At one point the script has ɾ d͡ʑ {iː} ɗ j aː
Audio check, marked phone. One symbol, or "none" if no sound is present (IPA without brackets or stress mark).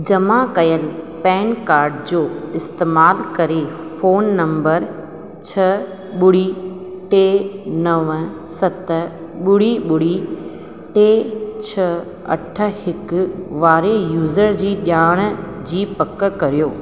iː